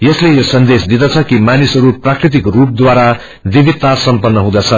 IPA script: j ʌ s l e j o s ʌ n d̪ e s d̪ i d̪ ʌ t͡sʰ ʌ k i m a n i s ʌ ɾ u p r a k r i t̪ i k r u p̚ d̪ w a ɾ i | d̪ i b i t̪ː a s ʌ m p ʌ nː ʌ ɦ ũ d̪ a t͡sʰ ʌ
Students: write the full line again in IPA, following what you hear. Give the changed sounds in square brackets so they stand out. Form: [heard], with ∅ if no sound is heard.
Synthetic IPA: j ʌ s l e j o s ʌ n d̪ e s d̪ i d̪ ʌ t͡sʰ ʌ k i m a n i s ʌ ɾ u p r a k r i t̪ i k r u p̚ d̪ w a ɾ [a] | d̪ i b i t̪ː a s ʌ m p ʌ nː ʌ ɦ ũ d̪ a t͡sʰ ʌ